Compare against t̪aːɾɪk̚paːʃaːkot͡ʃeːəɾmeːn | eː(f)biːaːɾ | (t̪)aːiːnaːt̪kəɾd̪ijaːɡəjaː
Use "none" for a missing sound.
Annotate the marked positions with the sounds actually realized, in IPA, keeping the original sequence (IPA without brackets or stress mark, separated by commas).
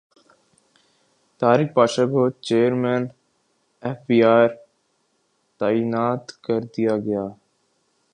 f, t̪